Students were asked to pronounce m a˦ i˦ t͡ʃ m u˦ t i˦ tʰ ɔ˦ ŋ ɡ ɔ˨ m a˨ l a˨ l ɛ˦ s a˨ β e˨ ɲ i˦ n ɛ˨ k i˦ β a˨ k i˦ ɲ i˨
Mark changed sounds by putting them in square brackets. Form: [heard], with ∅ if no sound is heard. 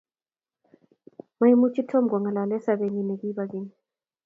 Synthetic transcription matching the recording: m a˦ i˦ [∅] m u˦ [t͡ʃ] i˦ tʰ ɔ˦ [m] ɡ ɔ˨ [ŋ] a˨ l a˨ l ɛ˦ s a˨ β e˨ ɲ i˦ n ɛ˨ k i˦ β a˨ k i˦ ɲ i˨